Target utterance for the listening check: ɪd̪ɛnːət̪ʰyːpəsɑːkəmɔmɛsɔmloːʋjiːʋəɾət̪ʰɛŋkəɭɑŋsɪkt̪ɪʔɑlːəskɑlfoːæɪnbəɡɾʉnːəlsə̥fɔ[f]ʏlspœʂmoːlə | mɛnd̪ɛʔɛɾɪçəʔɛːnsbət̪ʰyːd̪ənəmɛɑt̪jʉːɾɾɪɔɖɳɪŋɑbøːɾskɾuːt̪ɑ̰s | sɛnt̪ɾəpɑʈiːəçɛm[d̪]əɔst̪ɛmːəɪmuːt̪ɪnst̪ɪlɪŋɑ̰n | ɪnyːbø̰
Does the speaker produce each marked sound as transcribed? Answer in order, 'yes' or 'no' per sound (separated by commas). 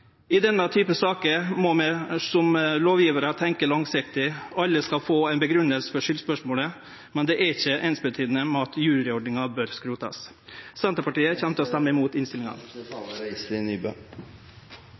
no, no